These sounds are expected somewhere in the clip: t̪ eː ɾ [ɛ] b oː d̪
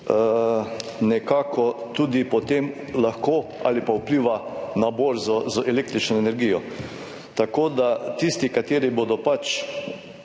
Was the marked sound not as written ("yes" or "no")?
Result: yes